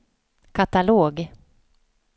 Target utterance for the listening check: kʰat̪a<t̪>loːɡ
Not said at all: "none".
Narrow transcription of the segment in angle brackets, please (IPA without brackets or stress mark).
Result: none